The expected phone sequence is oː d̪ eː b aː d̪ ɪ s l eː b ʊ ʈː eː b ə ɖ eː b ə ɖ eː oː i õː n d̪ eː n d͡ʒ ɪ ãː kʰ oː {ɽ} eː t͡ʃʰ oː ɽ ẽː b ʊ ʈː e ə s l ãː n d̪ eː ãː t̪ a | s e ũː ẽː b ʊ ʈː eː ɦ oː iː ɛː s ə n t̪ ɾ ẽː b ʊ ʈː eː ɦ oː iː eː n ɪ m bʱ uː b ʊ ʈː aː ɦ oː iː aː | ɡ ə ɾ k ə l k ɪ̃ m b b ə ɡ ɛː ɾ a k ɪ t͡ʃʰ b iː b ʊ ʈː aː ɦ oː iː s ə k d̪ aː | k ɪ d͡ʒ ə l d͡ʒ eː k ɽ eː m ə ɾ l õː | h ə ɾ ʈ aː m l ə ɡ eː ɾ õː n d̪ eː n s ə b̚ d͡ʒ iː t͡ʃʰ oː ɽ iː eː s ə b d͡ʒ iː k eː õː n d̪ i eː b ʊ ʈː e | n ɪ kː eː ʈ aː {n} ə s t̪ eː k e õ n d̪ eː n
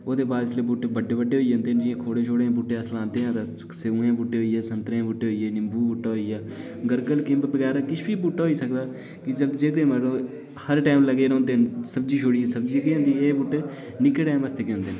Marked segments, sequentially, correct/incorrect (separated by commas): correct, incorrect